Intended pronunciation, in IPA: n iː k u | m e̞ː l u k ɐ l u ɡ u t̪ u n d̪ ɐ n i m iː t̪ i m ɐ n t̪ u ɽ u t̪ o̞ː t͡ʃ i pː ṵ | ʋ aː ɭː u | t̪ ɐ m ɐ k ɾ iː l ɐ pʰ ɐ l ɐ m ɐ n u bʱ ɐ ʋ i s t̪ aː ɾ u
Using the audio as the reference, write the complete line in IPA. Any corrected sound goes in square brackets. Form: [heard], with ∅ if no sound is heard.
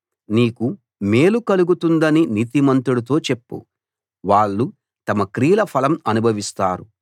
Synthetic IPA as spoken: n iː k u | m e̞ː l u k ɐ l u ɡ u t̪ u n d̪ ɐ n i [n] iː t̪ i m ɐ n t̪ u ɽ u t̪ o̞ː t͡ʃ [e] pː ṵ | ʋ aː ɭː u | t̪ ɐ m ɐ k ɾ iː l ɐ pʰ ɐ l ɐ m ɐ n u bʱ ɐ ʋ i s t̪ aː ɾ u